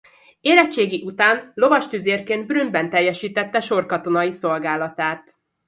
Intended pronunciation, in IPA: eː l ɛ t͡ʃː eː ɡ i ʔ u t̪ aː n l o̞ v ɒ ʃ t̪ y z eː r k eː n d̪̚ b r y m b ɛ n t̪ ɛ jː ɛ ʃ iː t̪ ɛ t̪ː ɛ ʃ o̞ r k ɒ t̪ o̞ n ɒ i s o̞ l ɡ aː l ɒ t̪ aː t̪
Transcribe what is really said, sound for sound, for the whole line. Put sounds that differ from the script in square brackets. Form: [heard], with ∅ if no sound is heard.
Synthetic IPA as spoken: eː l ɛ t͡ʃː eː ɡ i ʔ u t̪ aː n l o̞ v ɒ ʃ t̪ y z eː r k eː n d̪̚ b r y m b ɛ n t̪ ɛ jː ɛ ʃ iː t̪ ɛ t̪ː ɛ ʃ o̞ r k ɒ t̪ o̞ n ɒ i s o̞ l ɡ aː l ɒ t̪ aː t̪

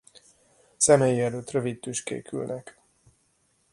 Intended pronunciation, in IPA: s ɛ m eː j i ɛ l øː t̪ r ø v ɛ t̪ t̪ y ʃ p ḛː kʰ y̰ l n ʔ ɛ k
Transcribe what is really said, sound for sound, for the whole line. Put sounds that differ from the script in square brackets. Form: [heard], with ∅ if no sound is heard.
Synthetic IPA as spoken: s ɛ m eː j i ɛ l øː t̪ r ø v [i] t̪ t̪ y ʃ [k] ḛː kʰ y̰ l n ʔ ɛ k

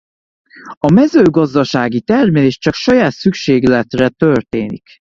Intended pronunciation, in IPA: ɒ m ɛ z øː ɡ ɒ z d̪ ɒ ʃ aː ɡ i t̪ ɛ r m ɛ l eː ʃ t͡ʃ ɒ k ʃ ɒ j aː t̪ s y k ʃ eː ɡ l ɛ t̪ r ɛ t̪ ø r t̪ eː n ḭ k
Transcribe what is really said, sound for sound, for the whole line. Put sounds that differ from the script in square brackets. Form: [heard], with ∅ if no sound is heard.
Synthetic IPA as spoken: ɒ m ɛ z øː ɡ ɒ z d̪ ɒ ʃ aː ɡ i t̪ ɛ r m ɛ l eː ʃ t͡ʃ ɒ k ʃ ɒ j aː t̪ s y k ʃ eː ɡ l ɛ t̪ r ɛ t̪ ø r t̪ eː n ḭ k

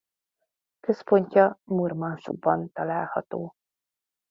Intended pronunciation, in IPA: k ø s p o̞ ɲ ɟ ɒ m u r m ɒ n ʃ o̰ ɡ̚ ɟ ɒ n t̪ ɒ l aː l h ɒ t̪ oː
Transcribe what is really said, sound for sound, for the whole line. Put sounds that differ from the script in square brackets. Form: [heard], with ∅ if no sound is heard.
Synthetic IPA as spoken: k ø s p o̞ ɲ [c] ɒ m u r m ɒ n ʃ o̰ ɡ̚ [b] ɒ n t̪ ɒ l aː l h ɒ t̪ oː

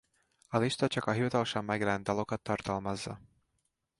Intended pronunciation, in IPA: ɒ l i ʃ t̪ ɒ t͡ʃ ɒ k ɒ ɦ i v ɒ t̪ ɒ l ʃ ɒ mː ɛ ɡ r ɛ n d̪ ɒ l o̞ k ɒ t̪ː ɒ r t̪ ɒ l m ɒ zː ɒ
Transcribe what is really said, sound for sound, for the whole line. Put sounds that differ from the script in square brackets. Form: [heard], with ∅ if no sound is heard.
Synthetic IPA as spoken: ɒ l i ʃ t̪ ɒ t͡ʃ ɒ k ɒ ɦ i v ɒ t̪ ɒ l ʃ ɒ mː ɛ ɡ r ɛ n d̪ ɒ l o̞ k ɒ t̪ː ɒ r t̪ ɒ l m ɒ zː ɒ

